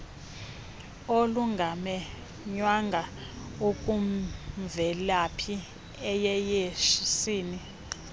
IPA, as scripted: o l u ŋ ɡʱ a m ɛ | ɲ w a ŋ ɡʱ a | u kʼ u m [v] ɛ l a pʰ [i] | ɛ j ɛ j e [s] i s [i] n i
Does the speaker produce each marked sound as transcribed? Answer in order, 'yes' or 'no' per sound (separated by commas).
yes, yes, no, no